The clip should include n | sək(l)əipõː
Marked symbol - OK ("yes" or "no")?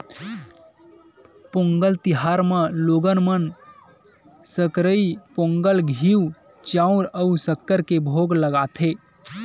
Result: no